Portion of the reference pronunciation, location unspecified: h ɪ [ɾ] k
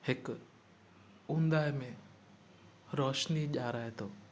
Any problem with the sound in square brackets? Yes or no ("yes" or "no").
yes